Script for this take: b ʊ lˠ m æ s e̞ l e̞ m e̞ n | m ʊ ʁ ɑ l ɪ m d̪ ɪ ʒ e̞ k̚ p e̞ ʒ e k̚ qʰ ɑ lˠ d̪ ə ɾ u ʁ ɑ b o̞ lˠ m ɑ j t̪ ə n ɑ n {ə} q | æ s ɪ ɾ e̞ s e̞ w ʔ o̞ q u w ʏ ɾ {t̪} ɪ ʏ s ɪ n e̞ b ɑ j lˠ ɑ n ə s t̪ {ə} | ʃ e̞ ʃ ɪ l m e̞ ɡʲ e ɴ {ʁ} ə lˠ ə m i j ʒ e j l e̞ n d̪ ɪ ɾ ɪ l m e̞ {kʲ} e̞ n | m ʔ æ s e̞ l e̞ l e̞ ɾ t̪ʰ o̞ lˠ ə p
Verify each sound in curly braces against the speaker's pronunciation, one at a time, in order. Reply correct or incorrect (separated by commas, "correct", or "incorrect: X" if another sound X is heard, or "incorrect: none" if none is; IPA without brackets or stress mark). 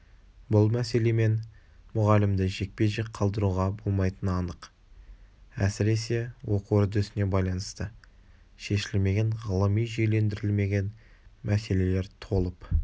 correct, incorrect: d̪, correct, correct, incorrect: ɡʲ